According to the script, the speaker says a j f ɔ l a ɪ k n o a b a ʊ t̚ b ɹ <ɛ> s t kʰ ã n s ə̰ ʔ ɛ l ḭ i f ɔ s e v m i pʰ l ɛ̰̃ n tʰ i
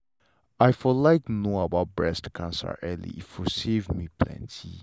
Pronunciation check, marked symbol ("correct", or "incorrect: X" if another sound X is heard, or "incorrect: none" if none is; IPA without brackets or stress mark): correct